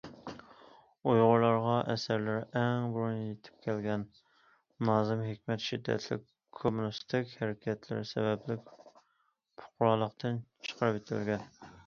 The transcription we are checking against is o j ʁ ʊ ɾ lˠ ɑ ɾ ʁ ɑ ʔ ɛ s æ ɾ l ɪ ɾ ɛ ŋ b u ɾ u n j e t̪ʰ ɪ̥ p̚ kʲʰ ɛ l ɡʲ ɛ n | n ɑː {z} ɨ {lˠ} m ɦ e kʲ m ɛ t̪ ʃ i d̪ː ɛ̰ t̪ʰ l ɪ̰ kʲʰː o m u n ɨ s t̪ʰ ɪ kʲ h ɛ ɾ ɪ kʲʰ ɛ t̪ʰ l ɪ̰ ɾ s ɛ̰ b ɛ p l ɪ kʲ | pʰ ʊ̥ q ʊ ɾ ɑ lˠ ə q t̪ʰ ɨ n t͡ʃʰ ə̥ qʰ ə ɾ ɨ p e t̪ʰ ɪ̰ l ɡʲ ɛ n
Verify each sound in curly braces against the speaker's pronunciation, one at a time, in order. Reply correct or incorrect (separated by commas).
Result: correct, incorrect